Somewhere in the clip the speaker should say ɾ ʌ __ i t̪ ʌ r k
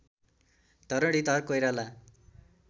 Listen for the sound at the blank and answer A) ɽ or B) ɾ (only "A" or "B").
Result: A